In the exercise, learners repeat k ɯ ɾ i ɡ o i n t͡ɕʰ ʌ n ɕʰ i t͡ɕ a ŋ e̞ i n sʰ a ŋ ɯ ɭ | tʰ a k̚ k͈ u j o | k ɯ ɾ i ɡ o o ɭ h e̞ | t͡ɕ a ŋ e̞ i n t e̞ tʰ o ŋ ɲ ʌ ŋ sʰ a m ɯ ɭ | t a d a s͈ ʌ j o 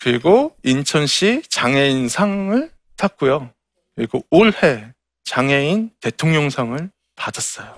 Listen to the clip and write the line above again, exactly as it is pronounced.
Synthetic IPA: k ɯ ɾ i ɡ o i n t͡ɕʰ ʌ n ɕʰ i t͡ɕ a ŋ e̞ i n sʰ a ŋ ɯ ɭ | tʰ a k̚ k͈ u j o | k ɯ ɾ i ɡ o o ɭ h e̞ | t͡ɕ a ŋ e̞ i n t e̞ tʰ o ŋ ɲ ʌ ŋ sʰ a ŋ ɯ ɭ | p a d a s͈ ʌ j o